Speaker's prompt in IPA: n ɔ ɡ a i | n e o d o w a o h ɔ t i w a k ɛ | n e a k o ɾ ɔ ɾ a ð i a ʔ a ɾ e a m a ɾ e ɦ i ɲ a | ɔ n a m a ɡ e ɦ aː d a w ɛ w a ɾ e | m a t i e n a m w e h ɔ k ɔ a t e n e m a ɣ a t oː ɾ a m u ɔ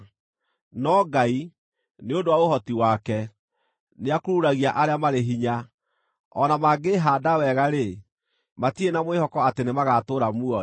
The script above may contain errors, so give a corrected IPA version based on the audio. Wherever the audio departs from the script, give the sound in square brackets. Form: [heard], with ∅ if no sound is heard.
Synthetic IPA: n ɔ ɡ a i | n e o d o w a o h ɔ t i w a k ɛ | n e a k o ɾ [u] ɾ a [ɣ] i a ʔ a ɾ e a m a ɾ e ɦ i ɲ a | ɔ n a m a ɡ e ɦ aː d a w ɛ [ɣ] a ɾ e | m a t i e n a m w e h ɔ k ɔ a t e n e m a ɣ a t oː ɾ a m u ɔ